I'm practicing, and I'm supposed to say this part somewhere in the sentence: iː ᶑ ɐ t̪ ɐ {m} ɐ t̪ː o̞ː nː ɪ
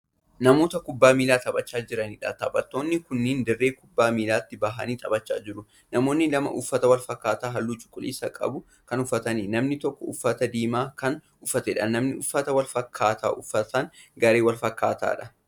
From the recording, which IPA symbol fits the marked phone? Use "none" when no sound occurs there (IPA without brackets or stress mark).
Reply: b